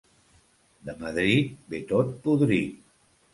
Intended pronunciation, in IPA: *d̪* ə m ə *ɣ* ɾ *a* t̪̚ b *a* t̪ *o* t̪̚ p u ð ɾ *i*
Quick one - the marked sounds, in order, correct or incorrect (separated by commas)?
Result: correct, incorrect, incorrect, incorrect, correct, correct